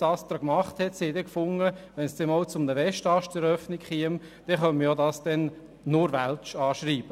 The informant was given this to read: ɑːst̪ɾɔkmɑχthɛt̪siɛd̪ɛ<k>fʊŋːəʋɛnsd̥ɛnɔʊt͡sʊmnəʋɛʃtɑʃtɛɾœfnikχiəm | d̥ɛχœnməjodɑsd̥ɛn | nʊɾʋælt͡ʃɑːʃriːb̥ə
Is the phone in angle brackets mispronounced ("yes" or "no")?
no